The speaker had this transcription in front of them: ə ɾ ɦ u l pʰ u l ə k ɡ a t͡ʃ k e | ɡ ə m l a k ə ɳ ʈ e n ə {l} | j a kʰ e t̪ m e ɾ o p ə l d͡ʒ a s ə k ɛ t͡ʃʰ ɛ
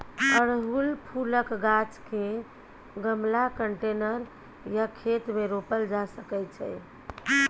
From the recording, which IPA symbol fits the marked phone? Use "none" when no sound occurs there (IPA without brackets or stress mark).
ɾ